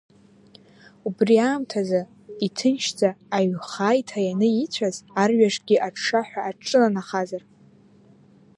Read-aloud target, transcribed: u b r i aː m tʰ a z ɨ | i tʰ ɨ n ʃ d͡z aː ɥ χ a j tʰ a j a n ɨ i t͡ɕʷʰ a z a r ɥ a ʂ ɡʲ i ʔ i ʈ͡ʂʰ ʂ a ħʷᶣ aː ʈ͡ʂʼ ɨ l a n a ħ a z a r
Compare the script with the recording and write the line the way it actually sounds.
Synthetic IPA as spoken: u b r i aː m tʰ a z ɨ | i tʰ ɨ n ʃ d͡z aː ɥ χ a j tʰ a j a n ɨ i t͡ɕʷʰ a z a r ɥ a ʂ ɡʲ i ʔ a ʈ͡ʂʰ ʂ a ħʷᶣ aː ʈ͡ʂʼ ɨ l a n a χ a z a r